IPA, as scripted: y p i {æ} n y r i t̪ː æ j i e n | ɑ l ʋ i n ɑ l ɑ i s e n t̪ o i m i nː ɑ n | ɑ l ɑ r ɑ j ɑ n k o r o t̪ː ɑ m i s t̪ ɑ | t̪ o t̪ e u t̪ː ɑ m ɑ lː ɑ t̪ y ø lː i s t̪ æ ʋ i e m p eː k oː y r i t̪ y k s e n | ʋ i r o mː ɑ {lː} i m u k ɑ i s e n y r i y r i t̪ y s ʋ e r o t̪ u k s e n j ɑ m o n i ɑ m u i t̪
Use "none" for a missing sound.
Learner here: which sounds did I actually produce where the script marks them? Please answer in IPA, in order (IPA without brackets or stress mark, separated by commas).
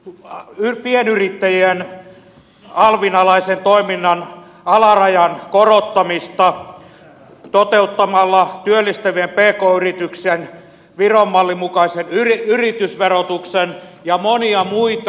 e, lː